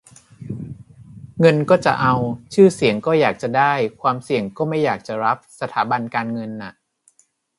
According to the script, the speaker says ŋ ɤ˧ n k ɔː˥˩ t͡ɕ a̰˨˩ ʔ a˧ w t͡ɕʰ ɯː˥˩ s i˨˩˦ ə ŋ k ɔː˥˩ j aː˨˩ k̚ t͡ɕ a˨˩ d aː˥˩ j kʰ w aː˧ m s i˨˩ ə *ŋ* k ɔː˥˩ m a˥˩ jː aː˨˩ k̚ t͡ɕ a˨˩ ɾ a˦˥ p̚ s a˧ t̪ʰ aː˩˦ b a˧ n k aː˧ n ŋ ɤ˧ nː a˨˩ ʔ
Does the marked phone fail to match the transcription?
no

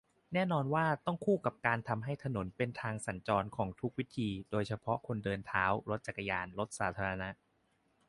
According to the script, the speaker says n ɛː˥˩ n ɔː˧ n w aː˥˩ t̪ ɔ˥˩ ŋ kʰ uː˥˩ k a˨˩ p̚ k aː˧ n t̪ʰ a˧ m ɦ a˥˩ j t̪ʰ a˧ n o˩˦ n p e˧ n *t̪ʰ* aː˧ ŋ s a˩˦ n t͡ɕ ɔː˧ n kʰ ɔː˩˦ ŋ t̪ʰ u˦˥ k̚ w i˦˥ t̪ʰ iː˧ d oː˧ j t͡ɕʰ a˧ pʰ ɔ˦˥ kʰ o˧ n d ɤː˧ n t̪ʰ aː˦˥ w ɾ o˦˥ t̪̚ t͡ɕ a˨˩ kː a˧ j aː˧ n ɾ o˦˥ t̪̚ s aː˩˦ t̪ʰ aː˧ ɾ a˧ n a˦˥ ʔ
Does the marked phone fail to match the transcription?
no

